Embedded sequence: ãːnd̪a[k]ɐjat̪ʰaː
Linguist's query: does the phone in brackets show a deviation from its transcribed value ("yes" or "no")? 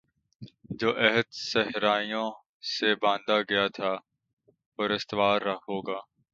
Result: yes